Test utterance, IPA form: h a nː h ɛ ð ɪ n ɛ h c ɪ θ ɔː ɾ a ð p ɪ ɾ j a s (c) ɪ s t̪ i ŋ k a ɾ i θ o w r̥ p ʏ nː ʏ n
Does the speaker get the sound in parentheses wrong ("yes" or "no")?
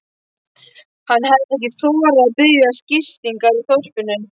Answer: no